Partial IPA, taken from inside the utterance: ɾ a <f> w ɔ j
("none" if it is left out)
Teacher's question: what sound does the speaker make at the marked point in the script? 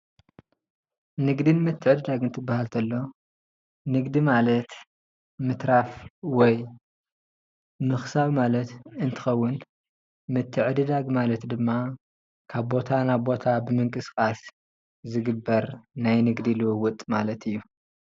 f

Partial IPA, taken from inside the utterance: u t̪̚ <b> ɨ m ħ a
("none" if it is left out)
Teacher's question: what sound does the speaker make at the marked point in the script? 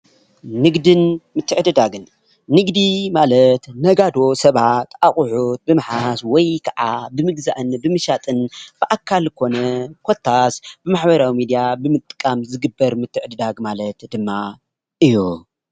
b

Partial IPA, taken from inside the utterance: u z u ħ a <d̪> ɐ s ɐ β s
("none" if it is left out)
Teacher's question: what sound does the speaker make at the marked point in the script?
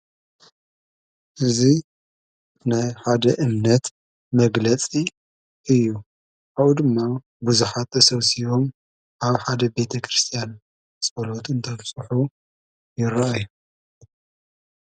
t̪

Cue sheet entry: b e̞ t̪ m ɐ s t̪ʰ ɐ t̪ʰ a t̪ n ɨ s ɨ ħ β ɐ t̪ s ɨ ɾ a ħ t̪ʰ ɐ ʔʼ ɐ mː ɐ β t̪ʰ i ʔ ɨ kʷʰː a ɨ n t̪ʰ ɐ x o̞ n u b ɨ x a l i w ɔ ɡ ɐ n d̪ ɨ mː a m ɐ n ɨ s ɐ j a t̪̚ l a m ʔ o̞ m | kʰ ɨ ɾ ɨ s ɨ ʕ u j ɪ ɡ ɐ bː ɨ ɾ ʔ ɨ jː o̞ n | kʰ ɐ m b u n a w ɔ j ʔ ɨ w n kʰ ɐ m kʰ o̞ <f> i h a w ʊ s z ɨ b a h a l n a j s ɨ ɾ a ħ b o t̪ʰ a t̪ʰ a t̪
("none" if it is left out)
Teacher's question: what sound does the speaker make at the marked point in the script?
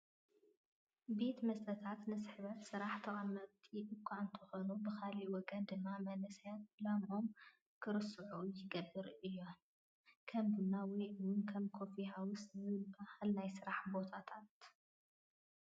f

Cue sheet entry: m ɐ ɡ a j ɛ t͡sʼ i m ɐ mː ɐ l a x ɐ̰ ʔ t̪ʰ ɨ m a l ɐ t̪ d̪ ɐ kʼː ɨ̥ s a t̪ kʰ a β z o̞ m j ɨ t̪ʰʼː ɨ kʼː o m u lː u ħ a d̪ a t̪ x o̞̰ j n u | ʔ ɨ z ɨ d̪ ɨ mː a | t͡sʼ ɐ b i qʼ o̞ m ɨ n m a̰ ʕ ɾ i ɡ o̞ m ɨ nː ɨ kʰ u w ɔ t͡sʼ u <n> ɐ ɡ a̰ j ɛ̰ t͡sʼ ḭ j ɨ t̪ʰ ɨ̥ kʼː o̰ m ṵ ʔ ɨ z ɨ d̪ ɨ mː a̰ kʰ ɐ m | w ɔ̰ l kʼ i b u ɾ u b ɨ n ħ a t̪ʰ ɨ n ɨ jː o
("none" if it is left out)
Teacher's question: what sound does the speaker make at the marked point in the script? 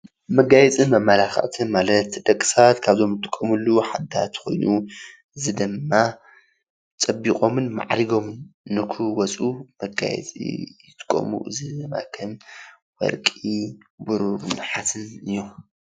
m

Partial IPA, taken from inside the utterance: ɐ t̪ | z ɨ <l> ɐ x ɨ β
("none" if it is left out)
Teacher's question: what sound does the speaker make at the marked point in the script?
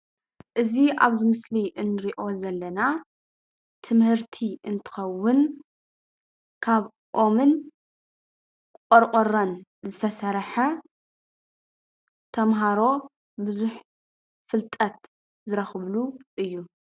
ɾ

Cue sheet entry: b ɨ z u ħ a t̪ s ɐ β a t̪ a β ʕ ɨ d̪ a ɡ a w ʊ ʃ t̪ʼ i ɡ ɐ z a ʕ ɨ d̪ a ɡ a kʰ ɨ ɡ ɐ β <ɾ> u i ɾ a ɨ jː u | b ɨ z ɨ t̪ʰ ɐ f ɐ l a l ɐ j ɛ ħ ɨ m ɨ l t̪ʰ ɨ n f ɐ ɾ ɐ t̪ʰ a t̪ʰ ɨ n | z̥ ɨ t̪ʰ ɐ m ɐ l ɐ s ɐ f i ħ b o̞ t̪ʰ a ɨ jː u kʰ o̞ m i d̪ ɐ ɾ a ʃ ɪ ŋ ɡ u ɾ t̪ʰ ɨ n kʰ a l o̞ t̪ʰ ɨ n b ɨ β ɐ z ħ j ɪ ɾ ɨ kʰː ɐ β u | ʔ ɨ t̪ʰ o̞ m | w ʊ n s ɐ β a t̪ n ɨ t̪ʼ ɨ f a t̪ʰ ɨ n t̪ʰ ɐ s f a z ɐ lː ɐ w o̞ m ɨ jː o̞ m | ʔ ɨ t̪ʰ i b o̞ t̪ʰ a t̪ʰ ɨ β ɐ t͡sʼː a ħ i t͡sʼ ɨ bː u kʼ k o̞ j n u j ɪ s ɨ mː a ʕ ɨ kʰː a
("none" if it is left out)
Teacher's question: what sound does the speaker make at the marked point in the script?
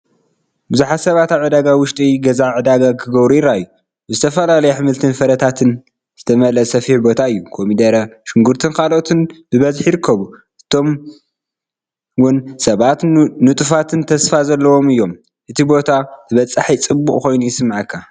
ɾ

